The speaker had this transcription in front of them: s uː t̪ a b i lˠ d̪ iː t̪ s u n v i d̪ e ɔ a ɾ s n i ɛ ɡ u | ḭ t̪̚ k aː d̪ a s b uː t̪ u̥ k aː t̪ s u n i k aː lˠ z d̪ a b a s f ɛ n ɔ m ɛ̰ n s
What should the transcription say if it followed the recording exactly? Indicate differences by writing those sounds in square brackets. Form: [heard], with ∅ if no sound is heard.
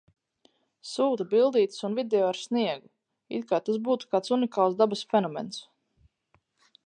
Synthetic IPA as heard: s uː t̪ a b i lˠ d̪ iː t̪ s u n v i d̪ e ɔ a ɾ s n i ɛ ɡ u | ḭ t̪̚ k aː [t̪] a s b uː t̪ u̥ k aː t̪ s u n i k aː lˠ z d̪ a b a s f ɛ n ɔ m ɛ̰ n s